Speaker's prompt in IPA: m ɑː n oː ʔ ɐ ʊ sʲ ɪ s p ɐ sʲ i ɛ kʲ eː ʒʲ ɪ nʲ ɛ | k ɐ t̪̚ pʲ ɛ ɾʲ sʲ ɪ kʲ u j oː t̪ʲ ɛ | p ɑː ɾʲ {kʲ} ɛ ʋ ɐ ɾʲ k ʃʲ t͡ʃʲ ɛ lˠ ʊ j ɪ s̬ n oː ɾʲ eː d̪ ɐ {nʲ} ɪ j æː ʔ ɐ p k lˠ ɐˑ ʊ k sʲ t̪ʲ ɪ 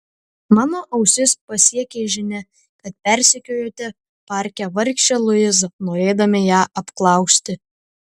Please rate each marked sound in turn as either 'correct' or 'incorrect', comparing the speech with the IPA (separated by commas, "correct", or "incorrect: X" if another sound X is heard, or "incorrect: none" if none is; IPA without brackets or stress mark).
correct, incorrect: mʲ